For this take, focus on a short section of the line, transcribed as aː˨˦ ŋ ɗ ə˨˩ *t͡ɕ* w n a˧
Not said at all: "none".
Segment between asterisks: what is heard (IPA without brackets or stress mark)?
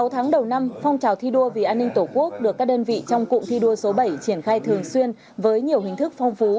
none